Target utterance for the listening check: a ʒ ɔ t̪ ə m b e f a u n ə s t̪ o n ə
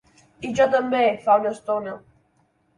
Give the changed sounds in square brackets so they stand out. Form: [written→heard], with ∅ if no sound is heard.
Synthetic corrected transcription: [a→i] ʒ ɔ t̪ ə m b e f a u n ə s t̪ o n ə